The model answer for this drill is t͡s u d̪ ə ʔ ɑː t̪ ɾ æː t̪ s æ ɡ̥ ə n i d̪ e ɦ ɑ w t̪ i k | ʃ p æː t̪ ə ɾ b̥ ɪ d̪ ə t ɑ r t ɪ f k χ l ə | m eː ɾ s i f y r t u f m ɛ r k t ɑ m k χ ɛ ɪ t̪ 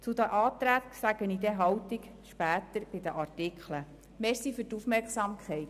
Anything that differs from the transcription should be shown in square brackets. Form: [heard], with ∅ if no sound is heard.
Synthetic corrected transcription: t͡s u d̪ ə ʔ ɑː t̪ ɾ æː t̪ s æ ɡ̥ ə n i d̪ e ɦ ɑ w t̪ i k | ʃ p æː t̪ ə ɾ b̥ ɪ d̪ ə [ʔ] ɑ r t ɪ [∅] k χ l ə | m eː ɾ s i f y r t u f m ɛ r k [s] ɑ m k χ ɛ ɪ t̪